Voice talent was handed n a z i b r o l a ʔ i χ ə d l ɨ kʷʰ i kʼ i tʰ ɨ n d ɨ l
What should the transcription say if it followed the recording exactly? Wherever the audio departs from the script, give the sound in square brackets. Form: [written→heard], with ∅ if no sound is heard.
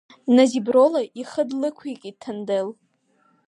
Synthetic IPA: n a z i b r o l a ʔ i χ ə d l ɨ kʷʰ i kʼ i tʰ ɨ n d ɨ l